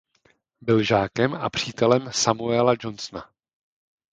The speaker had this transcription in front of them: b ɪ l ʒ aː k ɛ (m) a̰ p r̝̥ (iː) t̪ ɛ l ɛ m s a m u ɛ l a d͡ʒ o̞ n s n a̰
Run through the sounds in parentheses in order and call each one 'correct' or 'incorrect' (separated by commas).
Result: correct, correct